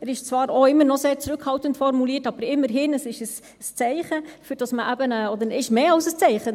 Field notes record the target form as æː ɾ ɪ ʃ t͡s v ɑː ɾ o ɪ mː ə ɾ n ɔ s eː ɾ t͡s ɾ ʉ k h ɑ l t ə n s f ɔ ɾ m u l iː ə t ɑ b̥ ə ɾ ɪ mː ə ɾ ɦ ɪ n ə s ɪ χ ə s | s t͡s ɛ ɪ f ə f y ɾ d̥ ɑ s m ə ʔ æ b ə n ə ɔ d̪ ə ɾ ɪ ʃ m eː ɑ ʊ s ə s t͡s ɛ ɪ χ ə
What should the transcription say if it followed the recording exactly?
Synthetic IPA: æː ɾ ɪ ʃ t͡s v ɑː ɾ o ɪ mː ə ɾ n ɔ s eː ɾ t͡s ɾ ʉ k h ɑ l t ə n t f ɔ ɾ m u l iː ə t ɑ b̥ ə ɾ ɪ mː ə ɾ ɦ ɪ n ə s ɪ ʃ ə s | s t͡s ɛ ɪ χ ə f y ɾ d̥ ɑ s m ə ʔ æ b ə n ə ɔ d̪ ə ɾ ɪ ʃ m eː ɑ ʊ s ə s t͡s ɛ ɪ χ ə